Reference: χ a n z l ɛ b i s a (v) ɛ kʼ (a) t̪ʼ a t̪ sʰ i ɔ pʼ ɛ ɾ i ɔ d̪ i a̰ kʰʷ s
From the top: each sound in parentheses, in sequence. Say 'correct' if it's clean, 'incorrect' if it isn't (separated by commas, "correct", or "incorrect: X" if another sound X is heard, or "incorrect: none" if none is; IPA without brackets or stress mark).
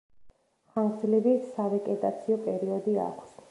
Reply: correct, incorrect: ɛ